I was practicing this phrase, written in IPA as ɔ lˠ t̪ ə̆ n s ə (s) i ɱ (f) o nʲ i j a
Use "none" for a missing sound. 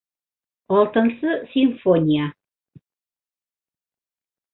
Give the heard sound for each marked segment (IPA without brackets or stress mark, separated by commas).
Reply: s, f